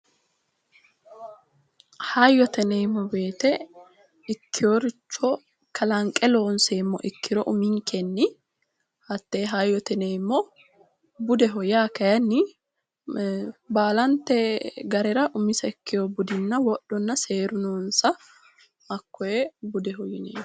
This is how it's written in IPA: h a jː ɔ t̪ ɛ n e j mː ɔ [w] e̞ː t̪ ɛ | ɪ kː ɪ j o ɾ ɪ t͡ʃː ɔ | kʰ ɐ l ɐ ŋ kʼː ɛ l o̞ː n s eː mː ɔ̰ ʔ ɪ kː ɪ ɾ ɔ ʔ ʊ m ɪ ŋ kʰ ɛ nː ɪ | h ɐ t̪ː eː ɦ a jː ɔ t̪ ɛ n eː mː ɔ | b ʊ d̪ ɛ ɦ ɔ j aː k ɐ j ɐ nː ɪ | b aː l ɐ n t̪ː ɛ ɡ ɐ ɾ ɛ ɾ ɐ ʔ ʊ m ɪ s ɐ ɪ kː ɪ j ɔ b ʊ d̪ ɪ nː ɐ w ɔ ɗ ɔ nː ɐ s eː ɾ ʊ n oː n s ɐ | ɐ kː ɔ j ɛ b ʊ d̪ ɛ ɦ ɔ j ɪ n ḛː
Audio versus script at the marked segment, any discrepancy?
yes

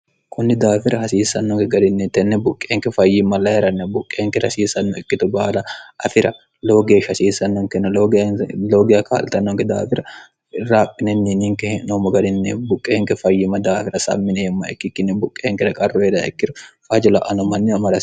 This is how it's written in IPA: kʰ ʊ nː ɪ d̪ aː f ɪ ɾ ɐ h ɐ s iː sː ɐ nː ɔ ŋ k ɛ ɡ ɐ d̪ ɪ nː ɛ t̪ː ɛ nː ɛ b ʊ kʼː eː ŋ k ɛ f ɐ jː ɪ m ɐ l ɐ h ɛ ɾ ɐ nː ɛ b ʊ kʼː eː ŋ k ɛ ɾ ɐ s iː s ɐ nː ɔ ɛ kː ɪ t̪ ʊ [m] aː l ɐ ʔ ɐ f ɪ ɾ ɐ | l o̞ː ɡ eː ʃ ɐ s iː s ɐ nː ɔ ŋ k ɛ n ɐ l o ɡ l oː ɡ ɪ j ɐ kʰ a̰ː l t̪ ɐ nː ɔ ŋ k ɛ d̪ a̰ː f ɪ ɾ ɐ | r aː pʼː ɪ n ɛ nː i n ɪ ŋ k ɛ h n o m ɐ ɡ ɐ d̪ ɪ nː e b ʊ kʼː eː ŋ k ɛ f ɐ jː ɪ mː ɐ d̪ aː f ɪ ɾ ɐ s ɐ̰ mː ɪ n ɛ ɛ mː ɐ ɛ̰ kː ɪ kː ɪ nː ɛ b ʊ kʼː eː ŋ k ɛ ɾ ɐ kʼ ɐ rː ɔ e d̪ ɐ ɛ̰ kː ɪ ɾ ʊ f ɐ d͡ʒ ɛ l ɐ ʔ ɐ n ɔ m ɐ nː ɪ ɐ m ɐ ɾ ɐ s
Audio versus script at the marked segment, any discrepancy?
yes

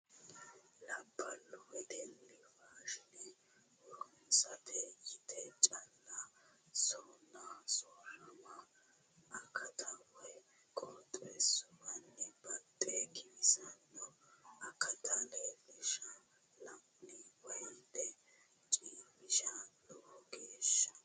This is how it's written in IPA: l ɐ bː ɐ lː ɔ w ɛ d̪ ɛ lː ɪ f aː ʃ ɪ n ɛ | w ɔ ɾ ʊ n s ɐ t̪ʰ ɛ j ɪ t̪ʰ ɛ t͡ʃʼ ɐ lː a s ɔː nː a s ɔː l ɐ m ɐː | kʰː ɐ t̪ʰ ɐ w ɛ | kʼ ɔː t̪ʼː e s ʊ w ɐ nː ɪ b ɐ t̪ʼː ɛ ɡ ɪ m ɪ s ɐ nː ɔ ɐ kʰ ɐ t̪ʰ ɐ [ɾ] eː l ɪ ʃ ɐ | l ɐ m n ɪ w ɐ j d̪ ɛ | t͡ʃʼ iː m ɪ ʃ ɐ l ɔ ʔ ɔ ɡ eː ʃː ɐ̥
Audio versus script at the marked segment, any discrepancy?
yes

